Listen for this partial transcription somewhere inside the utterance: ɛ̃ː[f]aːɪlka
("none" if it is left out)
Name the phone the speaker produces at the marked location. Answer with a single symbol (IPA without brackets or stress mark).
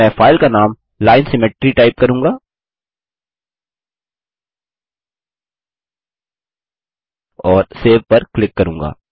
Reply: f